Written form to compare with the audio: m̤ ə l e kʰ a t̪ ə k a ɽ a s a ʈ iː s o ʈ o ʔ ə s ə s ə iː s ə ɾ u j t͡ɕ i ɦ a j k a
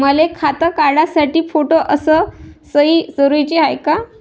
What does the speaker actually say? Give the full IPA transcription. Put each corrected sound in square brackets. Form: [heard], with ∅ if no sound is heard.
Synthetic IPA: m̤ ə l e kʰ a t̪ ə k a ɽ a s a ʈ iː [f] o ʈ o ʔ ə s ə s ə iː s ə ɾ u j t͡ɕ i ɦ a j k a